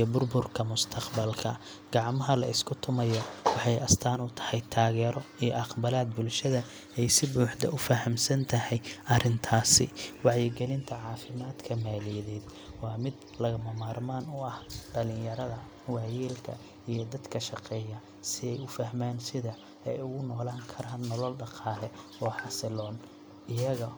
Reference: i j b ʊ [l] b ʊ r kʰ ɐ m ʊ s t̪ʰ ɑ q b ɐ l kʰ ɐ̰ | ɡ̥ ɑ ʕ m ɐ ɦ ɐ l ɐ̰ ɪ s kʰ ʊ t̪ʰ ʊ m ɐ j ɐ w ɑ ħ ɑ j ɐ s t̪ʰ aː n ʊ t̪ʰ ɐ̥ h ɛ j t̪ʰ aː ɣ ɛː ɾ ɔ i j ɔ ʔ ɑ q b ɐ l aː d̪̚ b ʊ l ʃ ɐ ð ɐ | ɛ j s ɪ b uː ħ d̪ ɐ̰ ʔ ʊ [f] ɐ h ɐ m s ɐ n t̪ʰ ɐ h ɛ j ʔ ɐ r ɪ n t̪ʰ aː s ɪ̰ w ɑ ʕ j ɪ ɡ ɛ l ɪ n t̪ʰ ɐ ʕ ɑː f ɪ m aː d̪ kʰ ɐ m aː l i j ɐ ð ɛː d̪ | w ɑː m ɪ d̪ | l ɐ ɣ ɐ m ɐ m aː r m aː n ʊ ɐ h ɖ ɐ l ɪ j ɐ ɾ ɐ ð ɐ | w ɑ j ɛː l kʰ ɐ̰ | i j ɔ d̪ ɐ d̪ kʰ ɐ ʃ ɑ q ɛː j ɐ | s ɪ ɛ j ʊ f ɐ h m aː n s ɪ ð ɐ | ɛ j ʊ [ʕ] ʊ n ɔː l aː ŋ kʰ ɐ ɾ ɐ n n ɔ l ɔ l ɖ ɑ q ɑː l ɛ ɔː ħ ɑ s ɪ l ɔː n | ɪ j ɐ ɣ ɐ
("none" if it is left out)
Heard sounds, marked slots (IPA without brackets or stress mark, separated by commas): r, f, ɣ